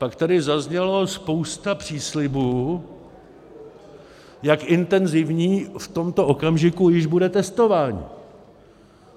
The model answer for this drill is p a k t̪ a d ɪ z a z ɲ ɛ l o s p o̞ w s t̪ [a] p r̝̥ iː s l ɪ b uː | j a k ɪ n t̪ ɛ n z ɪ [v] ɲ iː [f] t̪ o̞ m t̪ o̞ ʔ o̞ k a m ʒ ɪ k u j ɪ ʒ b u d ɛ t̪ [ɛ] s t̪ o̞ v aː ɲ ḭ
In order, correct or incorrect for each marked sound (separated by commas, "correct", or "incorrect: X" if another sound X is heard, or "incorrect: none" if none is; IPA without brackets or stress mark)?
correct, correct, correct, correct